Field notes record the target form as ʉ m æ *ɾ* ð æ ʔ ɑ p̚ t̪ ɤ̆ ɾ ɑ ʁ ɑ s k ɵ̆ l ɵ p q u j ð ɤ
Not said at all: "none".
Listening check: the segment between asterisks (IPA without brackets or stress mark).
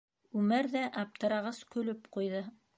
ɾ